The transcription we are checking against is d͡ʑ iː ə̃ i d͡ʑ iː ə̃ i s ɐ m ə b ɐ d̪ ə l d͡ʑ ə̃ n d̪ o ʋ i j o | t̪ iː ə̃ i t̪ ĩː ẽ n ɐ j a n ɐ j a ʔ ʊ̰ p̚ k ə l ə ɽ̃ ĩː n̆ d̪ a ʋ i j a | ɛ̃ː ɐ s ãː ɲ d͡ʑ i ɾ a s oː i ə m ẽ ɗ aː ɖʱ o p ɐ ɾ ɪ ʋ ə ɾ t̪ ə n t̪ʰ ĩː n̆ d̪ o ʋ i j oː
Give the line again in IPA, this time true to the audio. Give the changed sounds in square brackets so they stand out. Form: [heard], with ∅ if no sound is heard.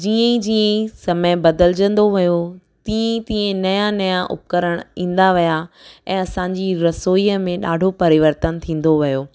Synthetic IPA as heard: d͡ʑ iː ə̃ i d͡ʑ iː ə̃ i s ɐ m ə b ɐ d̪ ə l d͡ʑ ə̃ n d̪ o ʋ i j o | t̪ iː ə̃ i t̪ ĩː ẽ n ɐ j a n ɐ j a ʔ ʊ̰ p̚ k ə [ɾ] ə ɽ̃ ĩː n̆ d̪ a ʋ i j a | ɛ̃ː ɐ s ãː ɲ d͡ʑ i ɾ [ɐ] s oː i ə m ẽ ɗ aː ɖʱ o p ɐ ɾ ɪ ʋ ə ɾ t̪ ə n t̪ʰ ĩː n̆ d̪ o ʋ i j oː